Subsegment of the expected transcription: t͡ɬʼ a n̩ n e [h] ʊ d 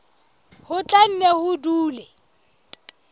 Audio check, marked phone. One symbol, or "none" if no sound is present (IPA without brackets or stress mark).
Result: h